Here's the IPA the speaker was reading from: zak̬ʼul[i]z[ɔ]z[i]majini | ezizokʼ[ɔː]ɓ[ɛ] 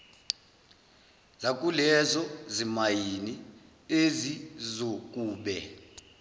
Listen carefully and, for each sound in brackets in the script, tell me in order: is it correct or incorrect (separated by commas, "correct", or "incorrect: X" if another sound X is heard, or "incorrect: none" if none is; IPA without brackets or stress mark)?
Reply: incorrect: ɛ, correct, correct, incorrect: uː, correct